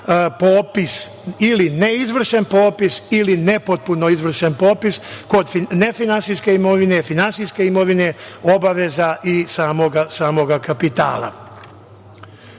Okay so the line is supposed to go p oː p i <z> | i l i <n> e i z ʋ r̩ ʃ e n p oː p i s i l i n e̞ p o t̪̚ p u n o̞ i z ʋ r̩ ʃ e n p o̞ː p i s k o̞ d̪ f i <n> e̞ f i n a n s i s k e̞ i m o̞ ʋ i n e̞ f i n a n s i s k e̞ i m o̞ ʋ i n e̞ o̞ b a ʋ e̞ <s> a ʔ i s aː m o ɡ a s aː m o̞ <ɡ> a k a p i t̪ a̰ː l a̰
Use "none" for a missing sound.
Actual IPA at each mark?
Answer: s, n, n, z, ɡ

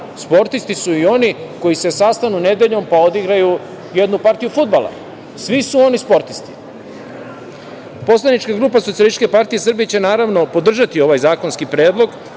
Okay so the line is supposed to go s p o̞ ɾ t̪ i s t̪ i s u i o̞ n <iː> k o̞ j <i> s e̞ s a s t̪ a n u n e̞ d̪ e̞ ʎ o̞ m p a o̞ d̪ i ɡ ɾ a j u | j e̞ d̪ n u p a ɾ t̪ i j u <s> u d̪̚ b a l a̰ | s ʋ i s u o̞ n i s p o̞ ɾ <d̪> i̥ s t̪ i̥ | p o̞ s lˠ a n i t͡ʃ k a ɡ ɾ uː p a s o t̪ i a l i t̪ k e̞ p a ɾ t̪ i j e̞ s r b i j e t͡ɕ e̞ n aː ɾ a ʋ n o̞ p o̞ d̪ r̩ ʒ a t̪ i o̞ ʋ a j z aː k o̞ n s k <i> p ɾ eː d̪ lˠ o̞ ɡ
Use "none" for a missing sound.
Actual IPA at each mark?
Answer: i, i, f, t̪, i

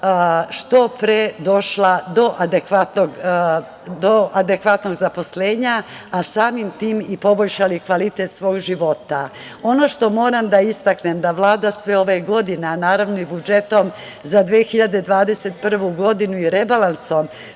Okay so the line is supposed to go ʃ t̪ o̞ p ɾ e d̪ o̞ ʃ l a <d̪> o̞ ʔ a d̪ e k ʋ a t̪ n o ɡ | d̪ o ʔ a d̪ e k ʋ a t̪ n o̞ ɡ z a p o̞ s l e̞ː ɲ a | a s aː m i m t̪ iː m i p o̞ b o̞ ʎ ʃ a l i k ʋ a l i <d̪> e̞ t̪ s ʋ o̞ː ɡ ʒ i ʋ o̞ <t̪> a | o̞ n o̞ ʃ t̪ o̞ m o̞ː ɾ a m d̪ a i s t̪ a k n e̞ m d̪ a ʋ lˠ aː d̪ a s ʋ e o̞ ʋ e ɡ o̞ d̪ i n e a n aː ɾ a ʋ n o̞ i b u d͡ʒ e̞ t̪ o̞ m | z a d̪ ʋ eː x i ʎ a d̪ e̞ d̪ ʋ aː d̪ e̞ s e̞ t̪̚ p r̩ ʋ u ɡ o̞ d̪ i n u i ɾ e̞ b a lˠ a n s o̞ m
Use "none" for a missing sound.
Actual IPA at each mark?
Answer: d̪, t̪, t̪

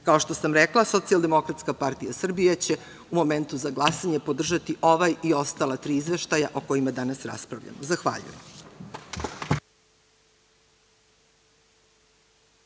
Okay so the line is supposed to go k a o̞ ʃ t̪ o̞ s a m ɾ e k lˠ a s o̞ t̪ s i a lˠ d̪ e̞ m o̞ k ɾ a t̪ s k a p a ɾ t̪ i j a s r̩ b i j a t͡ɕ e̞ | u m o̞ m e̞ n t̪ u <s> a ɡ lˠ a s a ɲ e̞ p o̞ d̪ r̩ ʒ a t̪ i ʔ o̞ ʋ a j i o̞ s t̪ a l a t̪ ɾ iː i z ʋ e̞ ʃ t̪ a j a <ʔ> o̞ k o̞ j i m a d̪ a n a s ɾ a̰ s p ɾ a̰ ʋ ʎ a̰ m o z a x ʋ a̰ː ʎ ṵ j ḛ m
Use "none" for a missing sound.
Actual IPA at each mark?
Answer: z, ʔ

